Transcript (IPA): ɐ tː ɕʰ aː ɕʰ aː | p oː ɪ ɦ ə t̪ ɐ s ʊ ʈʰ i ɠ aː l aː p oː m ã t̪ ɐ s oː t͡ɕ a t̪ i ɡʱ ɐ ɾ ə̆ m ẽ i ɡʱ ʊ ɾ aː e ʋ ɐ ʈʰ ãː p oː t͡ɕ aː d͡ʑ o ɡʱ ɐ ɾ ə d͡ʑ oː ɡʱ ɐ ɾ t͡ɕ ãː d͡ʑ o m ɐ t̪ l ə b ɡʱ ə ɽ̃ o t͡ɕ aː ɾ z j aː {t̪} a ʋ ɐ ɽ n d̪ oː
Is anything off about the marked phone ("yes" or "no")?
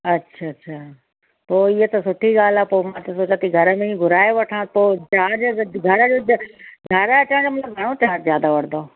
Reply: yes